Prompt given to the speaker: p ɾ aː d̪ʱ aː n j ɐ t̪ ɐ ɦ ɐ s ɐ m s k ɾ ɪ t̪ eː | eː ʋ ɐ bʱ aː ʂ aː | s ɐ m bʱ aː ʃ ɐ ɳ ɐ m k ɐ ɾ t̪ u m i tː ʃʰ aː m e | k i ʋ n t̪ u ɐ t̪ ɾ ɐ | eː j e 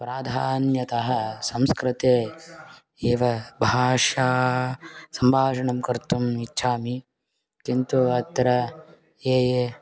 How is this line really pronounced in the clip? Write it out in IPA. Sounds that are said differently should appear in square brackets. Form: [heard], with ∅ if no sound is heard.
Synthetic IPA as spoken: p ɾ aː d̪ʱ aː n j ɐ t̪ ɐ ɦ ɐ s ɐ m s k ɾ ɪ t̪ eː | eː ʋ ɐ bʱ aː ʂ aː | s ɐ m bʱ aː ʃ ɐ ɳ ɐ m k ɐ ɾ t̪ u m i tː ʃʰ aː m [i] | k i [∅] n t̪ u ɐ t̪ ɾ ɐ | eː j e